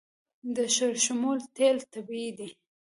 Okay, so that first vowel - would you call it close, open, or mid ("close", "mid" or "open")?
mid